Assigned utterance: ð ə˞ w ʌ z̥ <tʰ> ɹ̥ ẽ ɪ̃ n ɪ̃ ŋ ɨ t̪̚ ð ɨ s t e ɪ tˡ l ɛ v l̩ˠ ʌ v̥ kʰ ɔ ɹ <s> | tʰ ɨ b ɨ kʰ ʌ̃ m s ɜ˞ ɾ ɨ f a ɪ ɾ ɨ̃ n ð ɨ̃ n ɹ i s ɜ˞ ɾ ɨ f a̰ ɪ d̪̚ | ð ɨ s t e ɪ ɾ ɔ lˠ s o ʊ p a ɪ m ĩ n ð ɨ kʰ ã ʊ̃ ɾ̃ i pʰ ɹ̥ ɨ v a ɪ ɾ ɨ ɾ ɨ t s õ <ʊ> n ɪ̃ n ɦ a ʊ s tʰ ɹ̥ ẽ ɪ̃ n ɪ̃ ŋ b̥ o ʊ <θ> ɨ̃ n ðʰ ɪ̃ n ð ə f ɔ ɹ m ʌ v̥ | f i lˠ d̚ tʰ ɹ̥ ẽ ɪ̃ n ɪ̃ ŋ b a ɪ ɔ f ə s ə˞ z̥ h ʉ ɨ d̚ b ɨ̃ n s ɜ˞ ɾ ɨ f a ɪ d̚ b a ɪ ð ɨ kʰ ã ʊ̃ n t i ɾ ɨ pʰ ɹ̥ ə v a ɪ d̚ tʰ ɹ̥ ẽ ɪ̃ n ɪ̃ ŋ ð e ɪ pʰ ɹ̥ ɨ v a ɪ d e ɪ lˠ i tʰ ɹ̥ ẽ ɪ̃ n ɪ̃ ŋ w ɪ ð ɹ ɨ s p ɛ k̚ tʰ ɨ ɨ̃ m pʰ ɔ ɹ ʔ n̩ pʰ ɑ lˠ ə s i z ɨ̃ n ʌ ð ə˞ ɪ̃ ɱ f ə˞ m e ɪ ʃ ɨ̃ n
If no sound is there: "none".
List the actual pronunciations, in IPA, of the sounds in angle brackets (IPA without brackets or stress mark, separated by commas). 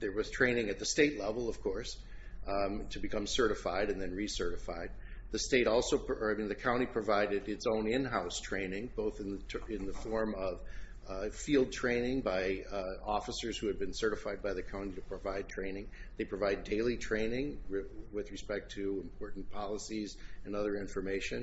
tʰ, s, ʊ̃, θ